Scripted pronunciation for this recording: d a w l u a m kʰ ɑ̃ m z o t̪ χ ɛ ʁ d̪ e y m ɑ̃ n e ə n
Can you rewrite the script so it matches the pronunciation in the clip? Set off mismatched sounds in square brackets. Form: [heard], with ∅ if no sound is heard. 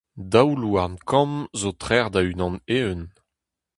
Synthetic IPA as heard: d a w l u a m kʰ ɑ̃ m z o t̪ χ ɛ ʁ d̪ [a] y [n] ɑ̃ n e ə n